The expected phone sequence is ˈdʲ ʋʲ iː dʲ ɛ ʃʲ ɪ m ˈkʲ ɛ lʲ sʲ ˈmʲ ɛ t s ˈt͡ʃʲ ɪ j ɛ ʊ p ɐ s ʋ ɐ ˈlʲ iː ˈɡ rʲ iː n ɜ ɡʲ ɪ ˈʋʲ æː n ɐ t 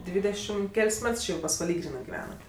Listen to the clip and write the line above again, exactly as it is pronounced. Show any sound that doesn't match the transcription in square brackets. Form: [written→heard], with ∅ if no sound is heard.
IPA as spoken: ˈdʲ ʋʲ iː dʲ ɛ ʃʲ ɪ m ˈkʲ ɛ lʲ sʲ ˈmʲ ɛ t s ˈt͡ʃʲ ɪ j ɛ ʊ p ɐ s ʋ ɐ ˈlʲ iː ˈɡ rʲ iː n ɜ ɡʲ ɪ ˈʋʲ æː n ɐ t